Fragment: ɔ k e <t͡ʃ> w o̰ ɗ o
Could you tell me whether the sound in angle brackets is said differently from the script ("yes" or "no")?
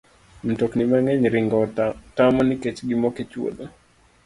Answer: no